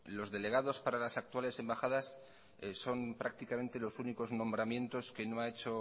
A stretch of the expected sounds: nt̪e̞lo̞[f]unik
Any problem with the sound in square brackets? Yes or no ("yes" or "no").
yes